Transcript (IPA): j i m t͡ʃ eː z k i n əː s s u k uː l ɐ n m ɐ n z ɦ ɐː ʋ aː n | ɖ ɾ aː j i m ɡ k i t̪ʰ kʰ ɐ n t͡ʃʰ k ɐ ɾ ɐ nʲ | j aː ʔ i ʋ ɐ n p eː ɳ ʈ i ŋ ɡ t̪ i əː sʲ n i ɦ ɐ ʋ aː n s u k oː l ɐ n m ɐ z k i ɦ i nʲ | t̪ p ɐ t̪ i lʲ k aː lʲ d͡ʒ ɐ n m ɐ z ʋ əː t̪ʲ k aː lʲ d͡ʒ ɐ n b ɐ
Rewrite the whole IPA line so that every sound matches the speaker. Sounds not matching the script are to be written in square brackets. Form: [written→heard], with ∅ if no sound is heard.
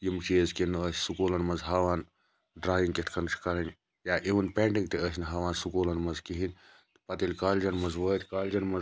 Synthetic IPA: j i m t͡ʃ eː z k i n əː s s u k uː l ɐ n m ɐ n z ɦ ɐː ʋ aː n | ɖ ɾ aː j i [m→ŋ] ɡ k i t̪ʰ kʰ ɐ n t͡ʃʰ k ɐ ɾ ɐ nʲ | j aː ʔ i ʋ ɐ n p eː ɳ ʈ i ŋ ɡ t̪ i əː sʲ n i ɦ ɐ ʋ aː n s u k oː l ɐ n m ɐ z k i ɦ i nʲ | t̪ p ɐ t̪ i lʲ k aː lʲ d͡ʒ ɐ n m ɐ z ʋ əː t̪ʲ k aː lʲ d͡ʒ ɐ n [b→m] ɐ

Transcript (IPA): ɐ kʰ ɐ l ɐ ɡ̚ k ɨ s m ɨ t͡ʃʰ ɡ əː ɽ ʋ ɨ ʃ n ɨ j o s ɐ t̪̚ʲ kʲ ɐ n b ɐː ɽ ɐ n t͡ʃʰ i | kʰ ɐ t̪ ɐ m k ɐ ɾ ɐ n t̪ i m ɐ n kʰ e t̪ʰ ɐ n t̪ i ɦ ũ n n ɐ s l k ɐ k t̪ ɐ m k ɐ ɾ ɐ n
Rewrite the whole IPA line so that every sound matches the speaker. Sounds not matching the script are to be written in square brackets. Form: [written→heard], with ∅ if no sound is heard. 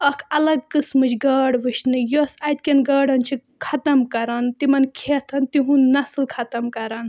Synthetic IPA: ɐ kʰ ɐ l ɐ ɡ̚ k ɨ s m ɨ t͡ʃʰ ɡ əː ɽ ʋ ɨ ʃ n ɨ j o s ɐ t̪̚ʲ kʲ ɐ n [b→ɡ] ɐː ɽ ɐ n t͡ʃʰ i | kʰ ɐ t̪ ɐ m k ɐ ɾ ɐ n t̪ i m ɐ n kʰ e t̪ʰ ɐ n t̪ i ɦ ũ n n ɐ s l [k→kʰ] ɐ [k→∅] t̪ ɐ m k ɐ ɾ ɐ n

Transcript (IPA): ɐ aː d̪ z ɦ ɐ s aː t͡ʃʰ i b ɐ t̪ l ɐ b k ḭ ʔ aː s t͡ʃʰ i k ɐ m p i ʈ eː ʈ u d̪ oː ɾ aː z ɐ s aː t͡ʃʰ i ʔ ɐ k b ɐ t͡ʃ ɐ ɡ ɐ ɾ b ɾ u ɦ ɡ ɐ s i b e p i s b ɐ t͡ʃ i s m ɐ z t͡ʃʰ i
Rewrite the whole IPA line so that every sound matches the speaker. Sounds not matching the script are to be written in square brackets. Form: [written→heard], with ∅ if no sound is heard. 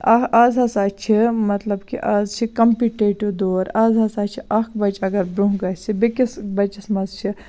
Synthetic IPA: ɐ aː [d̪→∅] z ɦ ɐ s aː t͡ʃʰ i [b→m] ɐ t̪ l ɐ b k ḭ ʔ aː [s→z] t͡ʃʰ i k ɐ m p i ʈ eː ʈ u d̪ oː ɾ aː z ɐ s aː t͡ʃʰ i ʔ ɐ k b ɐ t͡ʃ ɐ ɡ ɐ ɾ b ɾ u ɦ ɡ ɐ s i b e [p→k] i s b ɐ t͡ʃ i s m ɐ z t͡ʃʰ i

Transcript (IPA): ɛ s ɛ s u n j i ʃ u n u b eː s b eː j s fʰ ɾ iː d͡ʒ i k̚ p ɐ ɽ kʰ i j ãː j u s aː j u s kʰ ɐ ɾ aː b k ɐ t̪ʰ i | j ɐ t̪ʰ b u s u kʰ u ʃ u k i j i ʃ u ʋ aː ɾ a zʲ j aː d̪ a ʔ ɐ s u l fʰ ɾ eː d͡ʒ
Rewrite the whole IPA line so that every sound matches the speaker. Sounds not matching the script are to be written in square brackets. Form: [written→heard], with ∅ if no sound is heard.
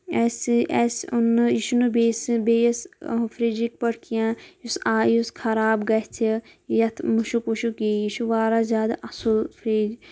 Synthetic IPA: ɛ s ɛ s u n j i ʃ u n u b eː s b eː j s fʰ ɾ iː d͡ʒ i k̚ p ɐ ɽ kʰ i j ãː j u s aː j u s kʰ ɐ ɾ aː b [k→ɡ] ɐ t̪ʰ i | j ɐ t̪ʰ [b→m] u [s→ʃ] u [kʰ→k] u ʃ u k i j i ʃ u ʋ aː ɾ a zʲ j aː d̪ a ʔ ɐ s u l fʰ ɾ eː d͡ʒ

